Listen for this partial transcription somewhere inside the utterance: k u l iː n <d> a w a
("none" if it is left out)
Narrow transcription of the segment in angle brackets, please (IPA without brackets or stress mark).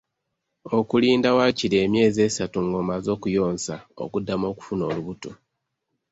d